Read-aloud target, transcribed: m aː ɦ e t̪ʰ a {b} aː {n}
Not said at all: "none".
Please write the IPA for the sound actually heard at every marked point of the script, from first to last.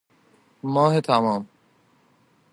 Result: m, m

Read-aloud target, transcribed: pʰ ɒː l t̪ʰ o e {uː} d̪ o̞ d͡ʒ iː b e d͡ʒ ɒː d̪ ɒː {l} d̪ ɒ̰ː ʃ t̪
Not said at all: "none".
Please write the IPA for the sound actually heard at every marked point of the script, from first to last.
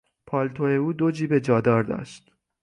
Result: uː, ɾ

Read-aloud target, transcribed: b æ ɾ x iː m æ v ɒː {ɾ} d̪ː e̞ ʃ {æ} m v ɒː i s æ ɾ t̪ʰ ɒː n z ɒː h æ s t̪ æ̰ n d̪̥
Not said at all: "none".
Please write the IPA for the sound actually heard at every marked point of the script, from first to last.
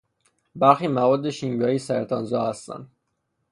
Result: none, i

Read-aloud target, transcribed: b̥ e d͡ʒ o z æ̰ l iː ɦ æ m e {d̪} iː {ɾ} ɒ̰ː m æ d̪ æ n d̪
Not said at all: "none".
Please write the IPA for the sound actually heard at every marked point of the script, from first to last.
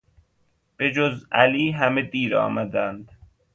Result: d̪, ɾ

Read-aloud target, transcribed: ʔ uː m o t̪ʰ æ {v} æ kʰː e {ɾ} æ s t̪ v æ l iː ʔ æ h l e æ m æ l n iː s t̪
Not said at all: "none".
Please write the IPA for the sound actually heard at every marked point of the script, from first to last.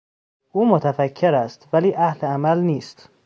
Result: f, ɾ

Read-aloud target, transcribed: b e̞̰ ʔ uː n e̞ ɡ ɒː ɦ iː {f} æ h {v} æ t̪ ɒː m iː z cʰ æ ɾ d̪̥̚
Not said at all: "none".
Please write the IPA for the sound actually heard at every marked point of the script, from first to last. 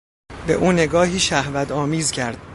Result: ʃ, v

